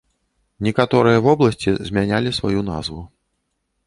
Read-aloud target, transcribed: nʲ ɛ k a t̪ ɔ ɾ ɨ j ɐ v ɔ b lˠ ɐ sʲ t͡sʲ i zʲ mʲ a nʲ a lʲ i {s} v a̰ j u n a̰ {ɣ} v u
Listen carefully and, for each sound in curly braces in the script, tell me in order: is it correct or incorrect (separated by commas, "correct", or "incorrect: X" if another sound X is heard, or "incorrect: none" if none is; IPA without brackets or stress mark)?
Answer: correct, incorrect: z